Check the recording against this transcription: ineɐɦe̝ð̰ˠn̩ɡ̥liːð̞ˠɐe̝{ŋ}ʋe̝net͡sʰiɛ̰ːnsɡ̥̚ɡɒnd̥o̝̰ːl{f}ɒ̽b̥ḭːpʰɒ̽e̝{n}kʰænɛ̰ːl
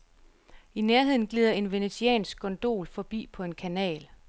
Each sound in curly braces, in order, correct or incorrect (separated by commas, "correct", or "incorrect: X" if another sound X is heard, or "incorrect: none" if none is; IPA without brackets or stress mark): incorrect: n, correct, correct